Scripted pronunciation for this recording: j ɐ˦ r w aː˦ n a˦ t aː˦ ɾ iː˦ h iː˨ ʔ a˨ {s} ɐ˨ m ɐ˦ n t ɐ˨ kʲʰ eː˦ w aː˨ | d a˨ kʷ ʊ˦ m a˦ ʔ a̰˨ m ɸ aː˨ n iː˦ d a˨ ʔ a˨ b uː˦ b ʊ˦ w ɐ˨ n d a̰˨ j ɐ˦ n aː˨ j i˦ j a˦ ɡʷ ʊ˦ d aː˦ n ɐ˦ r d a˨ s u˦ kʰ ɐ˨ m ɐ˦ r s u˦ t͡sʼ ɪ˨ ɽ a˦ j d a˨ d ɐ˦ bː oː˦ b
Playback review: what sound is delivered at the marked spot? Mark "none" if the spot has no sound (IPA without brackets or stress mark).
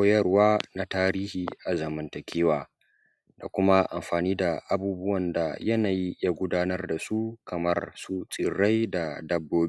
z